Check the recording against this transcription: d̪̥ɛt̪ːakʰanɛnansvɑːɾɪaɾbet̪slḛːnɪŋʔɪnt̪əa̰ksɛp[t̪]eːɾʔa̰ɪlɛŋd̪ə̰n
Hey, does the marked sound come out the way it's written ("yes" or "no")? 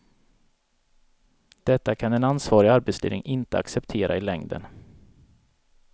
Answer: no